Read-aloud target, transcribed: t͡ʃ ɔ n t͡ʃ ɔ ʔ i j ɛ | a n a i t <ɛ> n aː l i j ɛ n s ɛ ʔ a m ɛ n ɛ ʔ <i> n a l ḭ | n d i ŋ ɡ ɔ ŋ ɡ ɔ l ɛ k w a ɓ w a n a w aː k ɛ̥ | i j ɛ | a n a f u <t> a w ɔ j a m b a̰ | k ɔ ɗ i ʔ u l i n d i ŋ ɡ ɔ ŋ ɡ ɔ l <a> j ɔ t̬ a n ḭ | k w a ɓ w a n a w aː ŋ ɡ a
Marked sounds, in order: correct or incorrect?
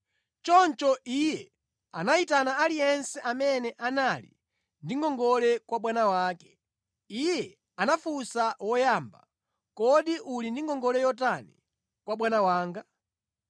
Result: incorrect, incorrect, incorrect, incorrect

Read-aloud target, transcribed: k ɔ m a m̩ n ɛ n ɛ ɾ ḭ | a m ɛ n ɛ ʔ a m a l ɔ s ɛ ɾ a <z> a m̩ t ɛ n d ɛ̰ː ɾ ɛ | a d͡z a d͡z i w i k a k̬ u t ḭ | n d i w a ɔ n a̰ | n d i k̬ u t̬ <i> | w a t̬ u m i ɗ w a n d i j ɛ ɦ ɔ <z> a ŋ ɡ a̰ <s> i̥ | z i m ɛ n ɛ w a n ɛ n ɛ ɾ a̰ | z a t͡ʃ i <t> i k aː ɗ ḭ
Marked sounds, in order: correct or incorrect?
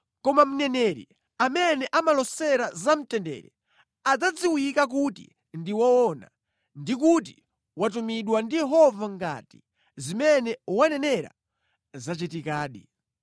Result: correct, correct, incorrect, incorrect, correct

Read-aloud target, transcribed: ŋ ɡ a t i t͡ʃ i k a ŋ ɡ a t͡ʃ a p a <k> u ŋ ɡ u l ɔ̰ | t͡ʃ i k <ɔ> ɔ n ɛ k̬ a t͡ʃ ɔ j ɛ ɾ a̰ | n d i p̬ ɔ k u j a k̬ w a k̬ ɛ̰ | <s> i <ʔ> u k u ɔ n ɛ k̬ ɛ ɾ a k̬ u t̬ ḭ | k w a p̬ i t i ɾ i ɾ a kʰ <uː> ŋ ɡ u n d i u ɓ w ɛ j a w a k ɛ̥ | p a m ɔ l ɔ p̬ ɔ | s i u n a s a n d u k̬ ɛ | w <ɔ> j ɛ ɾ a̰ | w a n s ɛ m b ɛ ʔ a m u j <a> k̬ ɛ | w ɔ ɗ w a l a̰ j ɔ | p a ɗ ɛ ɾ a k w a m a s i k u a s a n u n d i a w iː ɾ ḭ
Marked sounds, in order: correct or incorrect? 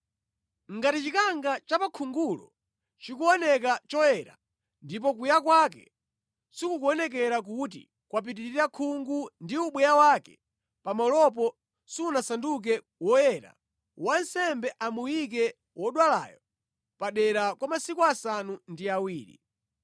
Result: incorrect, incorrect, correct, incorrect, incorrect, correct, incorrect

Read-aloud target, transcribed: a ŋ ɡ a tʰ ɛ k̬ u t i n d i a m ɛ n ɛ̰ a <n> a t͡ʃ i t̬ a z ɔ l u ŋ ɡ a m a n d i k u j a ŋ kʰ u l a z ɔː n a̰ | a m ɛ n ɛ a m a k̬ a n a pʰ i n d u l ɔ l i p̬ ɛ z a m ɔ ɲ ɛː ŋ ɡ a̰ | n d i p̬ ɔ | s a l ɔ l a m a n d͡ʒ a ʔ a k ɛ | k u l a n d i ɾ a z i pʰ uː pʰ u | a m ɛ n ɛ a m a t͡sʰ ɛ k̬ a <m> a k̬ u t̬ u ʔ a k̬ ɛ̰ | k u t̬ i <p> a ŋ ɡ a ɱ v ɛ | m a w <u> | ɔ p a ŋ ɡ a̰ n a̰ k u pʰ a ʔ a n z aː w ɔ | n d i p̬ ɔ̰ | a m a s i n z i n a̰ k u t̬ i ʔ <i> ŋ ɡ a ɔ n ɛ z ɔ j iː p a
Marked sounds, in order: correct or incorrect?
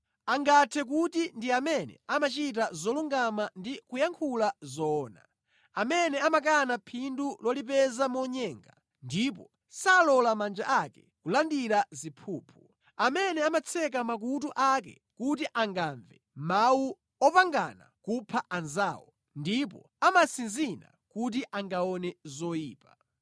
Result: incorrect, correct, incorrect, correct, incorrect

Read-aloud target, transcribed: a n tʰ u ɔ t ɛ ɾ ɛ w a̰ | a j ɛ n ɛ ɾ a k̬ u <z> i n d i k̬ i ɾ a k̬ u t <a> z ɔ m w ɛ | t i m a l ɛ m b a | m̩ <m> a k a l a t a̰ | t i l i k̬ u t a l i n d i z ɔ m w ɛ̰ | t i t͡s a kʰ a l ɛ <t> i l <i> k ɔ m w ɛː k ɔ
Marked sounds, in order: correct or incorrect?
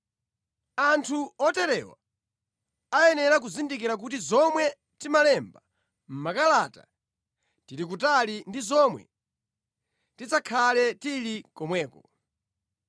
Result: correct, incorrect, correct, correct, correct

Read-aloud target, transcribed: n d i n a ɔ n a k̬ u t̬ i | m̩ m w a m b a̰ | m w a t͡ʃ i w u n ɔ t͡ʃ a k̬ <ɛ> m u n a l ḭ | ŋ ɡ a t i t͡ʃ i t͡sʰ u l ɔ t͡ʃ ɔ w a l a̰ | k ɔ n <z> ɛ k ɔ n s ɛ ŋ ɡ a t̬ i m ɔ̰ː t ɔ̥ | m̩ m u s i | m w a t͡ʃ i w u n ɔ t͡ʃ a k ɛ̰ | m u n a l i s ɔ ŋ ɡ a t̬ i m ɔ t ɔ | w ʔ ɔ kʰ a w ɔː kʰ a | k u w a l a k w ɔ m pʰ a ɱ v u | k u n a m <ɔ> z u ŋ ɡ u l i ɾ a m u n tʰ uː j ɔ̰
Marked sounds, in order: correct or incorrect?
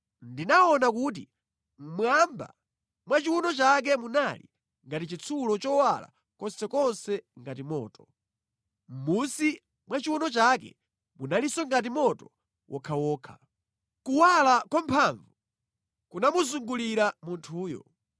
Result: correct, incorrect, incorrect

